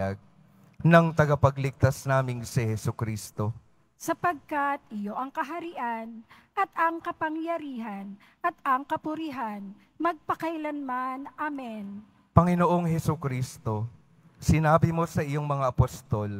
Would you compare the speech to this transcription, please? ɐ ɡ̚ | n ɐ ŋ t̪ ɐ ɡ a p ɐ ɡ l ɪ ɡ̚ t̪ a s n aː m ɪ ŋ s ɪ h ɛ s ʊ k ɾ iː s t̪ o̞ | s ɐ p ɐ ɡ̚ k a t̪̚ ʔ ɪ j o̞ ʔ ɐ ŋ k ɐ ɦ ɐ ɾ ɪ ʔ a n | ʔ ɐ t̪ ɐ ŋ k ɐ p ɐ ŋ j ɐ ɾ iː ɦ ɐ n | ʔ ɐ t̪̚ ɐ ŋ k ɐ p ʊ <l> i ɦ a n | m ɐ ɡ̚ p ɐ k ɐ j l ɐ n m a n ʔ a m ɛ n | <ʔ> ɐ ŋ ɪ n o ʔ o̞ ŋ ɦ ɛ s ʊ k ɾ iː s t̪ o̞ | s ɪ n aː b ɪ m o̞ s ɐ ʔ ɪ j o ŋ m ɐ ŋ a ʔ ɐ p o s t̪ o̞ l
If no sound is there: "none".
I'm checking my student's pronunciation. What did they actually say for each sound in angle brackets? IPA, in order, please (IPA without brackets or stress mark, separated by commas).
ɾ, p